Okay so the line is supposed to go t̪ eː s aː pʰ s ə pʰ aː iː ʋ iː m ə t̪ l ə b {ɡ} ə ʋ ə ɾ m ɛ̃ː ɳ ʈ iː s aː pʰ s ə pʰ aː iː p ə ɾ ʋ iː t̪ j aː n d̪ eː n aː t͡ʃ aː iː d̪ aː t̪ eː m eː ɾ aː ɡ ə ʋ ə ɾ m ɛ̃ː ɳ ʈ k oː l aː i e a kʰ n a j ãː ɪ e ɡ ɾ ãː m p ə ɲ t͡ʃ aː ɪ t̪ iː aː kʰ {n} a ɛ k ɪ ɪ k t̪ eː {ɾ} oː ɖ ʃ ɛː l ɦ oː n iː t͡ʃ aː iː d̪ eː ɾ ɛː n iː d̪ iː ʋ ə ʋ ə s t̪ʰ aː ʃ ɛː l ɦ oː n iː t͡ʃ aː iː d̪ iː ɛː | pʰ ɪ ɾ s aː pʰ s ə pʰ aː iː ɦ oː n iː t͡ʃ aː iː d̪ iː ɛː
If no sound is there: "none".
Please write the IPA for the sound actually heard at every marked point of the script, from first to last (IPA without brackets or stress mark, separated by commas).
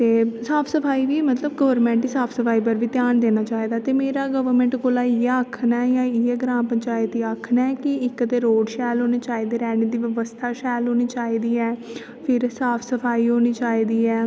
ɡ, n, ɾ